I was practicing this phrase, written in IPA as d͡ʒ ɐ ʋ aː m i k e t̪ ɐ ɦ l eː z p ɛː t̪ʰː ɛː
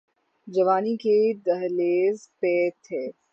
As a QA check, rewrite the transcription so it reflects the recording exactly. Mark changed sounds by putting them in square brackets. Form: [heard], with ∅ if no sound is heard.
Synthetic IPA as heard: d͡ʒ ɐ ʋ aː [n] i k e [d̪] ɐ ɦ l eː z p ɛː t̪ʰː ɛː